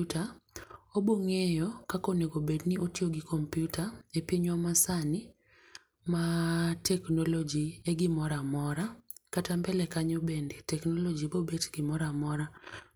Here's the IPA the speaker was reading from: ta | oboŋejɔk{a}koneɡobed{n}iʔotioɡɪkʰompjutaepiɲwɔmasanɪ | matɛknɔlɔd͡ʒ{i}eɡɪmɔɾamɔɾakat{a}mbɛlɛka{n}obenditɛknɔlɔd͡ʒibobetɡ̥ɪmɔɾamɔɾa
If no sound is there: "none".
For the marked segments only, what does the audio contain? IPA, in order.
a, n, i, a, ɲ

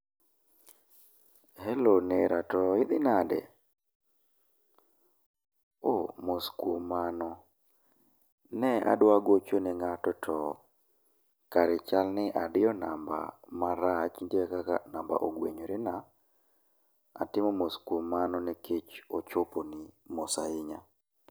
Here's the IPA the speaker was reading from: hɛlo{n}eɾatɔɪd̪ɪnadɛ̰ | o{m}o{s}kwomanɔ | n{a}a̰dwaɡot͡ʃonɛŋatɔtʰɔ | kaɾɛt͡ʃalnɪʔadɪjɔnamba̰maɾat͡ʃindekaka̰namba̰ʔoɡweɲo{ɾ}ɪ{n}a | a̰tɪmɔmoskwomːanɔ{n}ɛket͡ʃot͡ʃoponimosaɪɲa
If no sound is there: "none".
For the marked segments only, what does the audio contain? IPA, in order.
n, m, s, ɛ, ɾ, n, n

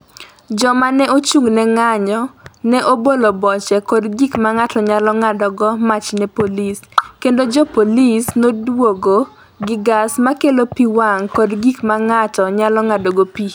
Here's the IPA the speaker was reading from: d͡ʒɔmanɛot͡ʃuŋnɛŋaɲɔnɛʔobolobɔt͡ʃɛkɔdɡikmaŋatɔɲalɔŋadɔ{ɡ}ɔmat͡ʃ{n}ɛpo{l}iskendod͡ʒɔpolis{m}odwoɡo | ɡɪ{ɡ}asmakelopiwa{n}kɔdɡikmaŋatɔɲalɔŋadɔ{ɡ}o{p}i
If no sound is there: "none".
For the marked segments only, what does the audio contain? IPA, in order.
ɡ, n, l, n, ɡ, ŋ, ɡ, p

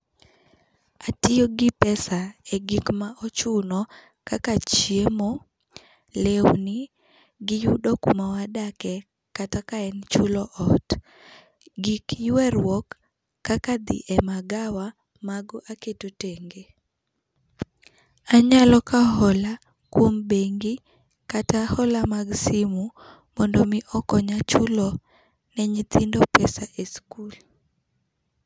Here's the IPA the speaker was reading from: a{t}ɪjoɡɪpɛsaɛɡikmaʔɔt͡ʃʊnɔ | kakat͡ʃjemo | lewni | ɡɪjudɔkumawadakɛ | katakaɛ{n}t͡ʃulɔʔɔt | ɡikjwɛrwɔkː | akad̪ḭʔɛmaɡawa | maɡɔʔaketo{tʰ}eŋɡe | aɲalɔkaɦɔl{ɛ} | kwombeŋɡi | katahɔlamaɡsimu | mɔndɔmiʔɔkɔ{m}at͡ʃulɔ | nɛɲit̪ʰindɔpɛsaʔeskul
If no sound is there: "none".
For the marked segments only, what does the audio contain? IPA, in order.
t, n, t, a, ɲ

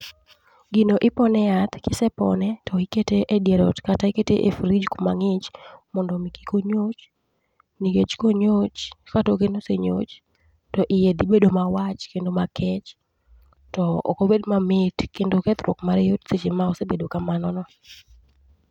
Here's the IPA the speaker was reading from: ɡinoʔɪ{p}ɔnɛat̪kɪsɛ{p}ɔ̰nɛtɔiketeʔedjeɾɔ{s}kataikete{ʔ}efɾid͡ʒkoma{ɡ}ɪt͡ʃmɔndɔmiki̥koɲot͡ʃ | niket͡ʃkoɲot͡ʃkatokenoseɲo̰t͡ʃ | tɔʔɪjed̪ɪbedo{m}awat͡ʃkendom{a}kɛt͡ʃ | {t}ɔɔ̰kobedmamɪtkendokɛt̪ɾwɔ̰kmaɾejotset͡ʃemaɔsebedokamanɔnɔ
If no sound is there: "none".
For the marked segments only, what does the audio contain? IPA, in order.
p, p, t, ʔ, ŋ, m, a, t

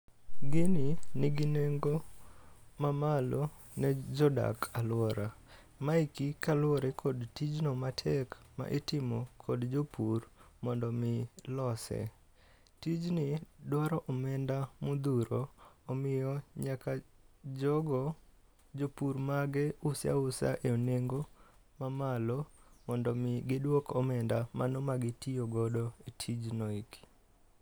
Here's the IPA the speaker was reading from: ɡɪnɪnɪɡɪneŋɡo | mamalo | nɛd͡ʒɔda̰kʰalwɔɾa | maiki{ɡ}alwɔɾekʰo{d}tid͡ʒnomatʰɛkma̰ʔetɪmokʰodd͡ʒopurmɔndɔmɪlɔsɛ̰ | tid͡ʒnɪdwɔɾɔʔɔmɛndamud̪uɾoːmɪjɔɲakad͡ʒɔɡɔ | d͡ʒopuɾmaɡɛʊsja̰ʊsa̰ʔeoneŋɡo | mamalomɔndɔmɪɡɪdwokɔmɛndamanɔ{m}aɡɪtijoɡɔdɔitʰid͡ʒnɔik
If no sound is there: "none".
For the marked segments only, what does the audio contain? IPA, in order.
k, d, m

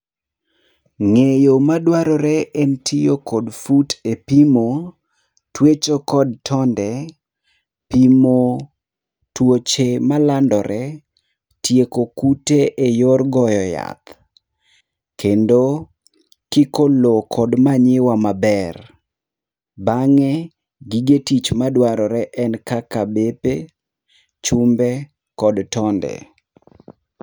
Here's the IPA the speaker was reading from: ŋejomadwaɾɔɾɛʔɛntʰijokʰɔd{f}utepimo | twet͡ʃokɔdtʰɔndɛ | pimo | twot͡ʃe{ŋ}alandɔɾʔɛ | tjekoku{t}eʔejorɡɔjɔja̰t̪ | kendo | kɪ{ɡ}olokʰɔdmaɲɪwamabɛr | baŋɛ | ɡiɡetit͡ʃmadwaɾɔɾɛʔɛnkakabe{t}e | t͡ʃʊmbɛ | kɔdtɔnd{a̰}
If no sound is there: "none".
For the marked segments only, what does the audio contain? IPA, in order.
f, m, t, k, p, ɛ̰

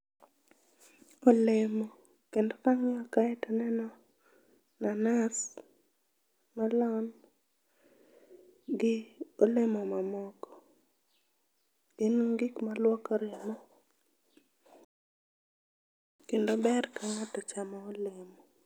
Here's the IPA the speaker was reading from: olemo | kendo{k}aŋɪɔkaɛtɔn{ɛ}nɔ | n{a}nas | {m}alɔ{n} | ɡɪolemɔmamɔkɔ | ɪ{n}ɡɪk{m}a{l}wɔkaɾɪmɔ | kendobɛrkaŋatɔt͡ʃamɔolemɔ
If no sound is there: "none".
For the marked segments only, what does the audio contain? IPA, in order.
k, ɛ, a, m, n, n, m, l

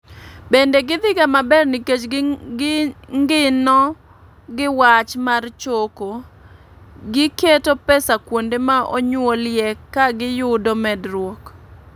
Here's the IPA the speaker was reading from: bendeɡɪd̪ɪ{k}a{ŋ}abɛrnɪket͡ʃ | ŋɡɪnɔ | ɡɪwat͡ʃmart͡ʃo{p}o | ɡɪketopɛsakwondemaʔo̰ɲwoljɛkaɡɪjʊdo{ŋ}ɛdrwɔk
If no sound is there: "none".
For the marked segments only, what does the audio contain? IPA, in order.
ɡ, m, k, m

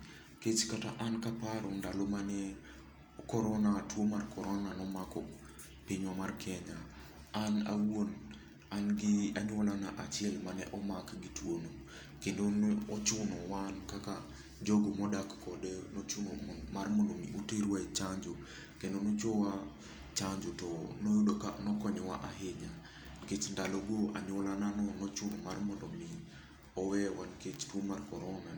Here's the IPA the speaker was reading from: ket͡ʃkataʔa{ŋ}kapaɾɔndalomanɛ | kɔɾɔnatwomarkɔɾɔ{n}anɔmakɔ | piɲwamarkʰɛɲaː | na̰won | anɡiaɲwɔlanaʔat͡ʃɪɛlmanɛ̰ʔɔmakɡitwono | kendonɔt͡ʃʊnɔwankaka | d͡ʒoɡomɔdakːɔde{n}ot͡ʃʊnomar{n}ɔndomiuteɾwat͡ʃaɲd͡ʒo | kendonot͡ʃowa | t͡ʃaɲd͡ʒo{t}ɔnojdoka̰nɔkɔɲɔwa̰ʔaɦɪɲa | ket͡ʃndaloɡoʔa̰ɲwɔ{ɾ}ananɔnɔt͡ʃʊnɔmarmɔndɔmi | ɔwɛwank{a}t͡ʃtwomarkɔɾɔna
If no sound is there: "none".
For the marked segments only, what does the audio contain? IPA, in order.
n, n, n, m, t, l, e

